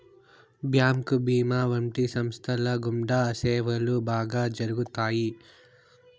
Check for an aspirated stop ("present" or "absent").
present